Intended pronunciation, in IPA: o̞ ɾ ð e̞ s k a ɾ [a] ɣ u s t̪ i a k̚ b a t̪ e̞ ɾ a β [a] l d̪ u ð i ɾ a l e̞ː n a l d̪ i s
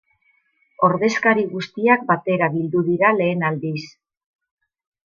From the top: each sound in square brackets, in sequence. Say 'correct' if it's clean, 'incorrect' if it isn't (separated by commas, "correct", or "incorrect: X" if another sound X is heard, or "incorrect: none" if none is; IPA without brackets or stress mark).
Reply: incorrect: i, incorrect: i